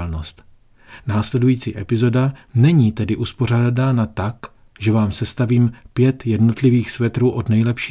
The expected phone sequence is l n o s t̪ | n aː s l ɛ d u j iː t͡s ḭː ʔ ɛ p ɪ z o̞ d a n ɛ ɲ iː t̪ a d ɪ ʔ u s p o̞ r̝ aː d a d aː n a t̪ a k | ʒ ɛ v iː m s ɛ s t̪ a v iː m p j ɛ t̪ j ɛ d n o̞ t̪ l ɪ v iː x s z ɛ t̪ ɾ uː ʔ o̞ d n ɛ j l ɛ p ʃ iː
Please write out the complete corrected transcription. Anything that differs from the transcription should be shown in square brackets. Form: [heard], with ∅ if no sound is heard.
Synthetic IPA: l n o s t̪ | n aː s l ɛ d u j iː t͡s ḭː ʔ ɛ p ɪ z o̞ d a n ɛ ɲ iː t̪ [ɛ] d ɪ ʔ u s p o̞ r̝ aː d a d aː n a t̪ a k | ʒ ɛ v [aː] m s ɛ s t̪ a v iː m p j ɛ t̪ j ɛ d n o̞ t̪ l ɪ v iː x s [v] ɛ t̪ ɾ uː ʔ o̞ d n ɛ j l ɛ p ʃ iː